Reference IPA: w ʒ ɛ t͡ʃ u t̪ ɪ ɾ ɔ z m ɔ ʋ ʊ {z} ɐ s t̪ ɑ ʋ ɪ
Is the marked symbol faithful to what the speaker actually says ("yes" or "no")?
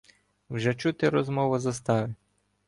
yes